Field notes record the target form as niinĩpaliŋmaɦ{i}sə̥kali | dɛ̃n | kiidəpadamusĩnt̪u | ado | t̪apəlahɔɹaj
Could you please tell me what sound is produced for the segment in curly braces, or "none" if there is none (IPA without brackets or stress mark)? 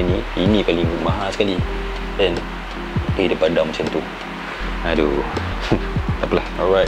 a